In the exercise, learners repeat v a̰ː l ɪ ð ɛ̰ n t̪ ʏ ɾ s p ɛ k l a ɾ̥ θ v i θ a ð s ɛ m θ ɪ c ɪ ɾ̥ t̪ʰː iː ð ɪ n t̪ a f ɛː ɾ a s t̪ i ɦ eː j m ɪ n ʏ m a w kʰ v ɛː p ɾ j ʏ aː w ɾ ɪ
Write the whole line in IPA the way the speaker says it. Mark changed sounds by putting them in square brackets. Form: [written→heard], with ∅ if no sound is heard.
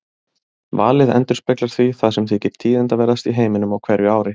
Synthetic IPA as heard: v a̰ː l ɪ ð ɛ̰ n t̪ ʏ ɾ s p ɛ k l a ɾ̥ θ v i θ a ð s ɛ m θ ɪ c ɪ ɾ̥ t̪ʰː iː ð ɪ n t̪ a [f→v] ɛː ɾ a s t̪ i ɦ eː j m ɪ n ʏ m a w kʰ v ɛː [p→∅] ɾ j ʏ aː w ɾ ɪ